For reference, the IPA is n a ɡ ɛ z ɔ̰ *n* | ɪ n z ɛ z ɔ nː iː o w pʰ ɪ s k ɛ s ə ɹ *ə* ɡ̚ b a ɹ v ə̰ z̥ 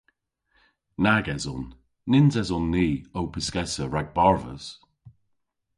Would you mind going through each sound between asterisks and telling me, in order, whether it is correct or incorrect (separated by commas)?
incorrect, incorrect